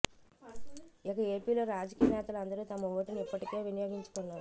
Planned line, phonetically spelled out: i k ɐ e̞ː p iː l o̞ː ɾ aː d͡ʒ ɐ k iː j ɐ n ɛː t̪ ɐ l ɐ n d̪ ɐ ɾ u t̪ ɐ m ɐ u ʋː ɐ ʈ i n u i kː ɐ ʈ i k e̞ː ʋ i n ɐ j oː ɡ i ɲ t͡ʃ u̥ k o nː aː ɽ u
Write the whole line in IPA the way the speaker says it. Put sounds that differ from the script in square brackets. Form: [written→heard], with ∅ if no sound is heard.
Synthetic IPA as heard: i k ɐ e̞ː p iː l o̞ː ɾ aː d͡ʒ ɐ k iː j ɐ n ɛː t̪ ɐ l ɐ n d̪ ɐ ɾ u t̪ ɐ m ɐ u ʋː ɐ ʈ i n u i [kː→pː] ɐ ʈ i k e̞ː ʋ i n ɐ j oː ɡ i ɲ t͡ʃ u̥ k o nː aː [ɽ→ɾ] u